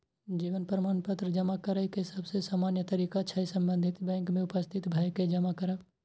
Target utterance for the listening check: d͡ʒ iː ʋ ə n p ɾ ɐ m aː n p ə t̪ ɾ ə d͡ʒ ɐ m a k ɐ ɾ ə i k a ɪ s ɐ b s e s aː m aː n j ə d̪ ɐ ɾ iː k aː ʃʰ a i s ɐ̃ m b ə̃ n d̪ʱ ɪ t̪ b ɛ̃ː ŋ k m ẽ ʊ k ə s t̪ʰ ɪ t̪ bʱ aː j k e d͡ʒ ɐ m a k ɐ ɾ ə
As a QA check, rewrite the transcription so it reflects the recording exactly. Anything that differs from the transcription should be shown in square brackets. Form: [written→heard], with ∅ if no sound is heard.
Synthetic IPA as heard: d͡ʒ iː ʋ ə n p ɾ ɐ m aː n p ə t̪ ɾ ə d͡ʒ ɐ m a k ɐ ɾ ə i k [a→e] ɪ s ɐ b s e s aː m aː n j ə [d̪→t̪] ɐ ɾ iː k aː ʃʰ a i s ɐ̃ m b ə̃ n d̪ʱ ɪ t̪ b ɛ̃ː ŋ k m ẽ ʊ [k→p] ə s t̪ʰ ɪ t̪ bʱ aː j k e d͡ʒ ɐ m a k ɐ ɾ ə